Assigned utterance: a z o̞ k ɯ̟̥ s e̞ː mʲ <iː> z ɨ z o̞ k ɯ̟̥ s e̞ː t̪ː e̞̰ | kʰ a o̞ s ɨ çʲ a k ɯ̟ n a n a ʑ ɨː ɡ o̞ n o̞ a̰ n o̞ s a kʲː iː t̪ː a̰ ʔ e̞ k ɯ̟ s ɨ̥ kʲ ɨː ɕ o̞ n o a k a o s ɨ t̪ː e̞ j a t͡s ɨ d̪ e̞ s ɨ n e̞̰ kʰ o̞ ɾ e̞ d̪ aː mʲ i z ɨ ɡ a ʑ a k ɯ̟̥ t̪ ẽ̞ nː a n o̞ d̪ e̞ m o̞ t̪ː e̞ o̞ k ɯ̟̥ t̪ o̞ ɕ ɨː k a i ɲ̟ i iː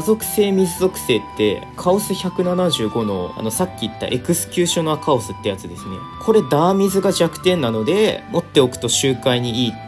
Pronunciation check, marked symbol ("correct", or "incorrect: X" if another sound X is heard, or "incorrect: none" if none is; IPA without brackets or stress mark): incorrect: i